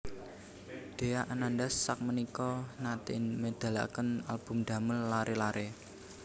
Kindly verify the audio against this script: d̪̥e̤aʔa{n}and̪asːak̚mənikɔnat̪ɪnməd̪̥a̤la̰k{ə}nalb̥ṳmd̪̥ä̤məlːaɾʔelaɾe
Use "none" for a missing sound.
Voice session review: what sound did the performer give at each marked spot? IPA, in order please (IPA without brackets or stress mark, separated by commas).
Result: n, ə